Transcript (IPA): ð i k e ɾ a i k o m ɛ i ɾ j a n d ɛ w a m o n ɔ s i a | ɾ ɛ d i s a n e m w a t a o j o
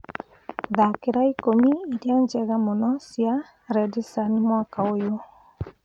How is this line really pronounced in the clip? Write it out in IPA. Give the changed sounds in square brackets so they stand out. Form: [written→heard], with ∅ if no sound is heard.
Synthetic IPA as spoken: ð [i→a] k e ɾ a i k o m [ɛ→i] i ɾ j a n [d→d͡ʒ] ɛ [w→ɣ] a m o n ɔ s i a | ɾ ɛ d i s a n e m w a [t→k] a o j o